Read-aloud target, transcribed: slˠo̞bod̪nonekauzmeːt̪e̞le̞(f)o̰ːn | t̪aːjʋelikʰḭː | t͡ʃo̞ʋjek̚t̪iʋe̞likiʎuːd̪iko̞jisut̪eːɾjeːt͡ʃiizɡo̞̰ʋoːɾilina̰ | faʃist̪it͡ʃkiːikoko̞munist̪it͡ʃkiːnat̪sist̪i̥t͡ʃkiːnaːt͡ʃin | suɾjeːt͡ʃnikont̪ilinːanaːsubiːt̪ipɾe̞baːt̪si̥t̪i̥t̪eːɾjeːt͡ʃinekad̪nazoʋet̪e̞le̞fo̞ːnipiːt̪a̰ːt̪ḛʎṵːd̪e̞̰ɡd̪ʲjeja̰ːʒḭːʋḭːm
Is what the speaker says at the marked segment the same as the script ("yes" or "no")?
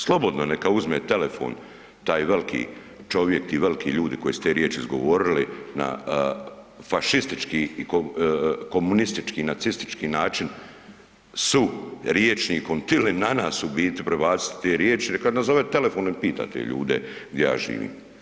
yes